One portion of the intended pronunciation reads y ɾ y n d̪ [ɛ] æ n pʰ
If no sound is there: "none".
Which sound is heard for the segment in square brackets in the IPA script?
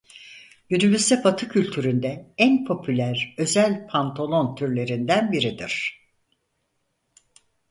ɛ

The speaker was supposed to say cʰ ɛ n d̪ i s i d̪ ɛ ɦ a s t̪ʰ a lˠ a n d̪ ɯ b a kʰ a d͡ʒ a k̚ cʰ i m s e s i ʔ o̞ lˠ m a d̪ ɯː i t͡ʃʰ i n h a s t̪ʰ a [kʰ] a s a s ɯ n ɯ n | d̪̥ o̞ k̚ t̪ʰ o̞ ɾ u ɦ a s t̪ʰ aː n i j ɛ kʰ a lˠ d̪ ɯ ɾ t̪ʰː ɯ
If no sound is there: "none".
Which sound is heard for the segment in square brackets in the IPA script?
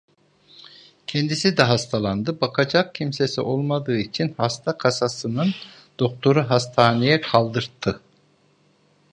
kʰ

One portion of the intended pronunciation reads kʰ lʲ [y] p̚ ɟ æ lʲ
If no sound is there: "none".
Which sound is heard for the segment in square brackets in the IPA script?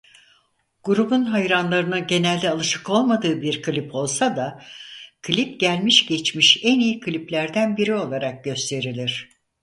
i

